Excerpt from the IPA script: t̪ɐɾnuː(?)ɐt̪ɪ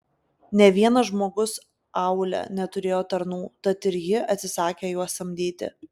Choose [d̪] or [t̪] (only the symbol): t̪